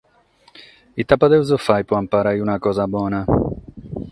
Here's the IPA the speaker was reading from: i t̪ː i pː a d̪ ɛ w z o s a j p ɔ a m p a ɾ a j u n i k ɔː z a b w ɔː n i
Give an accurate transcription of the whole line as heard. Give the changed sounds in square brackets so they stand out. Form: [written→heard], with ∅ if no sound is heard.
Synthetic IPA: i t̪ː [i→a] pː a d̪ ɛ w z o [s→f] a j p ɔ a m p a ɾ a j u n [i→a] k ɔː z a b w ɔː n [i→a]